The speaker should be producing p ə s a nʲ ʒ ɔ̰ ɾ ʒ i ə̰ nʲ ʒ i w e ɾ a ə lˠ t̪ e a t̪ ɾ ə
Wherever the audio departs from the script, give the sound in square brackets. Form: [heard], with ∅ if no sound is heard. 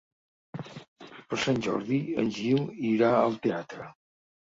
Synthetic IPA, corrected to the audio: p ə s a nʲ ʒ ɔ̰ ɾ [ð] i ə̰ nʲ ʒ i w [i] ɾ a ə lˠ t̪ e a t̪ ɾ ə